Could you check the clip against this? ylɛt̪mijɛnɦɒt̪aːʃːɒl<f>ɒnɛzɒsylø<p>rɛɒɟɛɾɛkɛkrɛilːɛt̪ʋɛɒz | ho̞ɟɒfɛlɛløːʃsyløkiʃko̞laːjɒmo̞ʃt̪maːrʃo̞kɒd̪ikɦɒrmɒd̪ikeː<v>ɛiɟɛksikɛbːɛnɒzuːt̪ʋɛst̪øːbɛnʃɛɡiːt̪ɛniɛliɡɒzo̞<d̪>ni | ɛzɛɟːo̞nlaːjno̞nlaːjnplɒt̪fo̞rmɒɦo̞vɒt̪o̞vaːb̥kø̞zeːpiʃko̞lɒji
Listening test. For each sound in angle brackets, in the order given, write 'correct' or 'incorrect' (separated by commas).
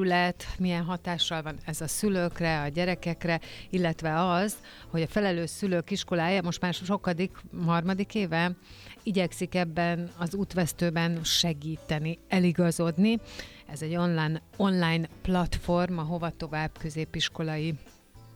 incorrect, incorrect, correct, correct